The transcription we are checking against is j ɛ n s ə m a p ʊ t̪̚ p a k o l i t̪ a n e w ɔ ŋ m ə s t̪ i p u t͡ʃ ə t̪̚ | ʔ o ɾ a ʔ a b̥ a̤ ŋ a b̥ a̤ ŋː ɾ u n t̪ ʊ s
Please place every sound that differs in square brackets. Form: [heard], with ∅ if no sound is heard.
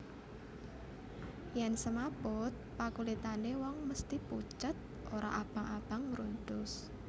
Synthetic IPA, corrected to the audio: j ɛ n s ə m a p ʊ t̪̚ p a k [u] l i t̪ a n e w ɔ ŋ m ə s t̪ i p u t͡ʃ ə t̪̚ | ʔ o ɾ a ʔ a b̥ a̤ ŋ a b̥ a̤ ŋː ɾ u n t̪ ʊ s